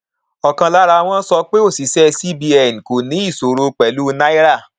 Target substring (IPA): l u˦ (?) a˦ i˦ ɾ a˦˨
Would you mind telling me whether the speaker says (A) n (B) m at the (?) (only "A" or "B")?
A